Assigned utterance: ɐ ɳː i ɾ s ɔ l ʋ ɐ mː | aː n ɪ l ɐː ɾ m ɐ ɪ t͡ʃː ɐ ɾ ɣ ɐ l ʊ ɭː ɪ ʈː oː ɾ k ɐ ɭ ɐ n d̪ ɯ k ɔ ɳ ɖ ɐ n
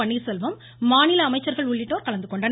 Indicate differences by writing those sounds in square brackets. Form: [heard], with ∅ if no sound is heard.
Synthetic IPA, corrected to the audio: ɐ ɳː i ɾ s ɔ l ʋ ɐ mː | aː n ɪ l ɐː [∅] m ɐ ɪ t͡ʃː ɐ ɾ ɣ ɐ [ɭ] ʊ ɭː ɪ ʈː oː ɾ k ɐ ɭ ɐ n d̪ ɯ k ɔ ɳ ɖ ɐ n